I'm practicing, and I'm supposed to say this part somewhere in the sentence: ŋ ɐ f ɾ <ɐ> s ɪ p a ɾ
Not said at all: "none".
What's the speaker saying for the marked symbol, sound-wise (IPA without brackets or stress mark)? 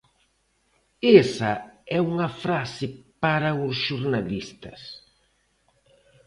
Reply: a